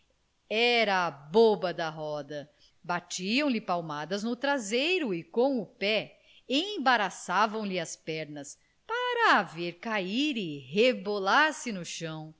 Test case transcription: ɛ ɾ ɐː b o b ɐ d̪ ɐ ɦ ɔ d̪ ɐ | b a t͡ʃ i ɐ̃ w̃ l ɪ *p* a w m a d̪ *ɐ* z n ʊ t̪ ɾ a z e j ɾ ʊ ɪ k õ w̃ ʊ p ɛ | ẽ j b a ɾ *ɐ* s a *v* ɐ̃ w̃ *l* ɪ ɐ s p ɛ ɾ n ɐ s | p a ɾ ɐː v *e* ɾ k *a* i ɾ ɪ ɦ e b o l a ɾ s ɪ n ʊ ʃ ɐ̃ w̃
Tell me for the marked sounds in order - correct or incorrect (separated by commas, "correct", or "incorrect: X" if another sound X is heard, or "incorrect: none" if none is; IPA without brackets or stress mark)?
correct, correct, incorrect: a, correct, correct, correct, correct